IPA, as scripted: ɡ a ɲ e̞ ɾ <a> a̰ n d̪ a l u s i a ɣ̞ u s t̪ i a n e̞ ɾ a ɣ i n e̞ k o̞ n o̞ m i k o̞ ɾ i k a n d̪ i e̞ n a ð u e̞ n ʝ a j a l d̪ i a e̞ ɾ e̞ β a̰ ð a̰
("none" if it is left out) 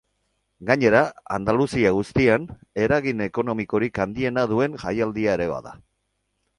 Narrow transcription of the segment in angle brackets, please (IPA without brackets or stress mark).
a